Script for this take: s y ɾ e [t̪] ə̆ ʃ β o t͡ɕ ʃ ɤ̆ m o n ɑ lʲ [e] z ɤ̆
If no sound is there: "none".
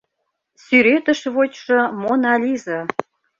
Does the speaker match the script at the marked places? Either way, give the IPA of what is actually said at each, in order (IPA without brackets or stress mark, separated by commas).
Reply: t̪, i